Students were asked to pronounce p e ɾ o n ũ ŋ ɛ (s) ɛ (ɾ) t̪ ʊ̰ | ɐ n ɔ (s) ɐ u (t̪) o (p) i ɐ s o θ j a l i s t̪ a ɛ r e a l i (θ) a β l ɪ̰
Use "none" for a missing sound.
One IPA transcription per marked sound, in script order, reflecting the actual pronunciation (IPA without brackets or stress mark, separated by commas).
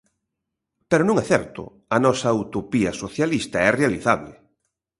θ, ɾ, s, t̪, p, θ